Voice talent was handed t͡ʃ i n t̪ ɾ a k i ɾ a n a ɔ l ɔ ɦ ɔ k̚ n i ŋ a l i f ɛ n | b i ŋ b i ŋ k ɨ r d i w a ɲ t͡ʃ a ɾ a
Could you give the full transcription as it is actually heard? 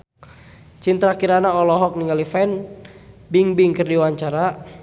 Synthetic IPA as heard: t͡ʃ i n t̪ ɾ a k i ɾ a n a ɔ l ɔ ɦ ɔ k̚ n i ŋ a l i f ɛ n | b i ŋ b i ŋ k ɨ r d i w a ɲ t͡ʃ a ɾ a